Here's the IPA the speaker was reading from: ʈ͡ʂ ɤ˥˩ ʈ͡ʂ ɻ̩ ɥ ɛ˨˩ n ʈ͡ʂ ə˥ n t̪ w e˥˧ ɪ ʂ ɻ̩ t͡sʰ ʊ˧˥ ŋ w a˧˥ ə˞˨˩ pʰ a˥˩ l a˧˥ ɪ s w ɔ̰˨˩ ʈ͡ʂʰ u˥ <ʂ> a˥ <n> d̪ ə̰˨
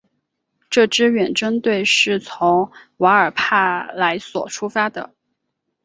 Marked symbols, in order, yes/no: no, no

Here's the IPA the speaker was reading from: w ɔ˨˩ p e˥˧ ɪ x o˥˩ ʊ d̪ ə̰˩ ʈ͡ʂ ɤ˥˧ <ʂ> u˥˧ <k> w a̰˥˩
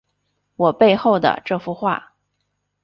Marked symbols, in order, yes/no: no, no

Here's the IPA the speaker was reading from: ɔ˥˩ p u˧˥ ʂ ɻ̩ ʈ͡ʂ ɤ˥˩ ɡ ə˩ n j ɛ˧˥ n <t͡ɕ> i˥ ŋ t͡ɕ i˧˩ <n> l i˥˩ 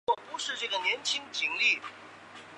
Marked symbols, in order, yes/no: no, no

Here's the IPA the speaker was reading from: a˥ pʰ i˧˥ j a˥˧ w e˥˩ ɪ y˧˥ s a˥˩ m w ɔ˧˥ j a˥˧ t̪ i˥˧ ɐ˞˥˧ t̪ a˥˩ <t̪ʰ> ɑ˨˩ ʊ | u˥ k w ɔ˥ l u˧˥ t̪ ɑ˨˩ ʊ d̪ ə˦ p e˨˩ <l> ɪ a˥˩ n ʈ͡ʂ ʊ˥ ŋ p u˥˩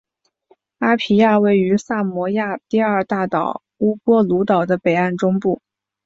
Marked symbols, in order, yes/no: no, no

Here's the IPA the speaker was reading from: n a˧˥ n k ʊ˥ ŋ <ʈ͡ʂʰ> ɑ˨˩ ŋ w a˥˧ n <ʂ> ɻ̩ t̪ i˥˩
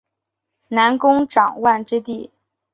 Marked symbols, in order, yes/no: no, no

